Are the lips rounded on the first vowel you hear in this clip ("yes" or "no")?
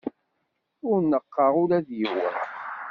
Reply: yes